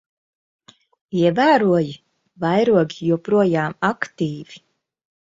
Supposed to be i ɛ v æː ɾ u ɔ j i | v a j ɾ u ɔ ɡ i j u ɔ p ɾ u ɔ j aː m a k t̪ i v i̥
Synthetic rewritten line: i ɛ v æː ɾ u ɔ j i | v a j ɾ u ɔ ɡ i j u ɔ p ɾ u ɔ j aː m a k t̪ iː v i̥